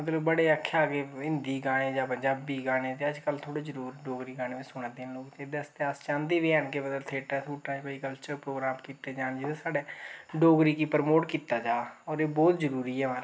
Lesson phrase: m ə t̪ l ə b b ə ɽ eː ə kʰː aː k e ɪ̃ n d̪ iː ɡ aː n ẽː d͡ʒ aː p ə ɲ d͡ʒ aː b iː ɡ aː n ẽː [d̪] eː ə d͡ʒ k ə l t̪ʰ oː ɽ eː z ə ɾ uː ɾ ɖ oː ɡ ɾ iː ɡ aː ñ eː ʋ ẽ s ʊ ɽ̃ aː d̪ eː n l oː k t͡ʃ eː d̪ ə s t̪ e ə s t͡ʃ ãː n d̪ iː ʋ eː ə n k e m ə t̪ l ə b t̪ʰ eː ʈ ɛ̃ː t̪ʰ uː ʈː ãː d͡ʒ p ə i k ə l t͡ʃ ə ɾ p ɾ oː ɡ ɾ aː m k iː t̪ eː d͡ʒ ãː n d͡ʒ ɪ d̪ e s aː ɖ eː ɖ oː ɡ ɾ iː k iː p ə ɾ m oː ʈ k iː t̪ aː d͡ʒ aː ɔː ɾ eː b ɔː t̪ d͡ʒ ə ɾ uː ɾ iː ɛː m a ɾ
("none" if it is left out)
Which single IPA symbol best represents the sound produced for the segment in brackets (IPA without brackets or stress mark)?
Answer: t̪